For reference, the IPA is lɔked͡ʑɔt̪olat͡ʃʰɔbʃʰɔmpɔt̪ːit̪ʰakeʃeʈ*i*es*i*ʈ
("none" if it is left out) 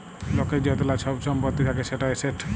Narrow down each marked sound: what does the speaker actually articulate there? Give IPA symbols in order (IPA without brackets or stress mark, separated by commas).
a, e